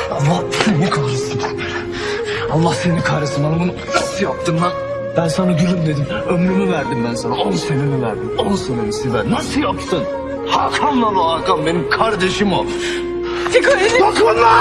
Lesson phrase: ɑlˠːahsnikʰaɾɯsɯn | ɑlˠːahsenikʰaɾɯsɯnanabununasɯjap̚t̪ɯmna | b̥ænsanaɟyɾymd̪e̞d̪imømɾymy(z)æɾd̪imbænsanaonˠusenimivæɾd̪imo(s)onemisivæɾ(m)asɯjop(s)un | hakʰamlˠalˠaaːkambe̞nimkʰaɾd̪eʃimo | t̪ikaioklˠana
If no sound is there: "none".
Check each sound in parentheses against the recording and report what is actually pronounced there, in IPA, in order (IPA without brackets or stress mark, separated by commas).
v, s, n, s